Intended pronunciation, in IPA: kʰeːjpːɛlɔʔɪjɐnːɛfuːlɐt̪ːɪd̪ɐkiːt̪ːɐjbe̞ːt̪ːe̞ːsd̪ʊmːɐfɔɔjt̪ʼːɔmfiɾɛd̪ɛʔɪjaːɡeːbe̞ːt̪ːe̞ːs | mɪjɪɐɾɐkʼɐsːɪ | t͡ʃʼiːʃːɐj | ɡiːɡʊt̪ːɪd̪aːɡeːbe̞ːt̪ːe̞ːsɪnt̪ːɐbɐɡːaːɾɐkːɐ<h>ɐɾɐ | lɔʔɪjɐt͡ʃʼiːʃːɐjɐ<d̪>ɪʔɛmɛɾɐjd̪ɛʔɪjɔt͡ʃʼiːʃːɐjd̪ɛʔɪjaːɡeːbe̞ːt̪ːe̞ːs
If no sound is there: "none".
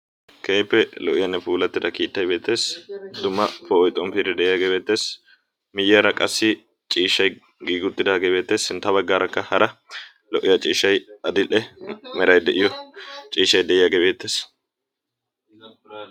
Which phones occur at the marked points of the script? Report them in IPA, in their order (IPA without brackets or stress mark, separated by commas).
h, d̪